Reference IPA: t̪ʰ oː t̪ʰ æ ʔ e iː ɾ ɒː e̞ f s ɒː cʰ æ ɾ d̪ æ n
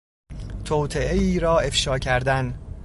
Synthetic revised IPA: t̪ʰ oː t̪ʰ e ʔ e iː ɾ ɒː e̞ f ʃ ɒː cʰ æ ɾ d̪ æ n